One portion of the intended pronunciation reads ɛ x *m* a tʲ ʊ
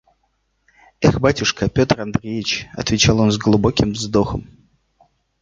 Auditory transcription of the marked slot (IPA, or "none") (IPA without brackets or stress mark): b